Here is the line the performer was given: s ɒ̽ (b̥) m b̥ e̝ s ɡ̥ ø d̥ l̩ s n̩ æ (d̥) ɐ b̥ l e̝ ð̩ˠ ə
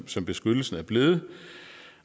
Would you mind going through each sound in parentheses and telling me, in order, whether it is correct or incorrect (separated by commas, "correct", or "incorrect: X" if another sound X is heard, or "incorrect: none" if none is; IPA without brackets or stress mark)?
incorrect: none, incorrect: none